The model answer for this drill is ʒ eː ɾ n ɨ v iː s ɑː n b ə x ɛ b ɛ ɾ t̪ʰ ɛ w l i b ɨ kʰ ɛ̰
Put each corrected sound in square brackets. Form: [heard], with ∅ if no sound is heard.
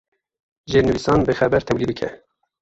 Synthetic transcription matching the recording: ʒ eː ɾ n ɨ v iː s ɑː n b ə x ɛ b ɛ ɾ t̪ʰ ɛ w l i b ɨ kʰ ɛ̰